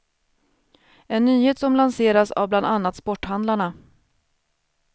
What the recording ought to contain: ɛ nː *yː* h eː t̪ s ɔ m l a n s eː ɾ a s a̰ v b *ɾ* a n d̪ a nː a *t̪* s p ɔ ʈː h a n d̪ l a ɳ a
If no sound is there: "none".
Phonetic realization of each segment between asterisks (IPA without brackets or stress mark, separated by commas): yː, l, t̪